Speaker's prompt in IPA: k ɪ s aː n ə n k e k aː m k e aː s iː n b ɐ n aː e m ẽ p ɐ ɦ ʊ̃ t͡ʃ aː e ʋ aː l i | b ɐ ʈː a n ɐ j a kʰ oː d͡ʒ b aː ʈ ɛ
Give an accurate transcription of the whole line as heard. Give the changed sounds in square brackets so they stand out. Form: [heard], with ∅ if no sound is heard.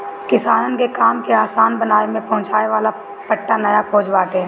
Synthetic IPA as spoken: k ɪ s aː n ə n k e k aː m k e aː s [aː] n b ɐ n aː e m ẽ p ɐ ɦ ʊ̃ t͡ʃ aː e ʋ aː l [a] | [p] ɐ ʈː a n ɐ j a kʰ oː d͡ʒ b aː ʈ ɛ